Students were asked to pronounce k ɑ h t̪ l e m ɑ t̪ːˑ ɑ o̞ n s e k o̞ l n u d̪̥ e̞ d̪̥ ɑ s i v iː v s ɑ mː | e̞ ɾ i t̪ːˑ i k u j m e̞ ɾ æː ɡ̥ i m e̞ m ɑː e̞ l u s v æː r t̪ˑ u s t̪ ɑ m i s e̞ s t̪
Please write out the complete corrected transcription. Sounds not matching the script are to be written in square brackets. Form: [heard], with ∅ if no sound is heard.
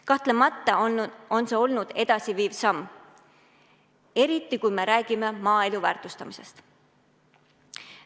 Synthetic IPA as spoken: k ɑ h t̪ l e m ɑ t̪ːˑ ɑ o̞ n s e [∅] o̞ l n u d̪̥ e̞ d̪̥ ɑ s i v iː v s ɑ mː | e̞ ɾ i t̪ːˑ i k u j m e̞ ɾ æː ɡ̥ i m e̞ m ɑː e̞ l u [∅] v æː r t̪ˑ u s t̪ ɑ m i s e̞ s t̪